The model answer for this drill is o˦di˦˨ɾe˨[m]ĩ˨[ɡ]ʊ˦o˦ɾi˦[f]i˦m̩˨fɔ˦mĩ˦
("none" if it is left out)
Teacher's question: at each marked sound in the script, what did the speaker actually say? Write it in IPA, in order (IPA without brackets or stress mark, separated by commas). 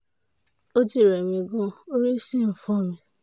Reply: m, ɡ, s